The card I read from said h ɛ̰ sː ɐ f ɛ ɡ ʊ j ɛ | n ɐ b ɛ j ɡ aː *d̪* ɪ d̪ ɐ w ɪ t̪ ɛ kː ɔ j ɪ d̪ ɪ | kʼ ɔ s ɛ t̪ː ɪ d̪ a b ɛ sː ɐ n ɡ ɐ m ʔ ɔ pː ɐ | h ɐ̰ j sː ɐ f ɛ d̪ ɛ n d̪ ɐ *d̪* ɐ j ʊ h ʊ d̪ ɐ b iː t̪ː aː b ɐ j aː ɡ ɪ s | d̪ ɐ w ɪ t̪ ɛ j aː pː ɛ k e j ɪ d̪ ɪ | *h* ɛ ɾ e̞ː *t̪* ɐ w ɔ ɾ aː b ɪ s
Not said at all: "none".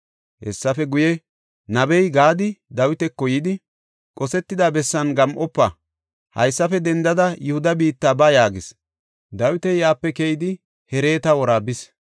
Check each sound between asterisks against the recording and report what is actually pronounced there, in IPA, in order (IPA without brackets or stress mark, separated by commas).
d̪, d̪, h, t̪